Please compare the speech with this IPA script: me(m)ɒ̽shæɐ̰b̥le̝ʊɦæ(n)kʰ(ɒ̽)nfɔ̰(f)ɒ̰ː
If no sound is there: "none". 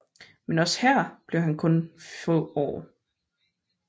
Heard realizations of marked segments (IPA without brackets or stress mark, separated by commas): n, n, ɔ̽, none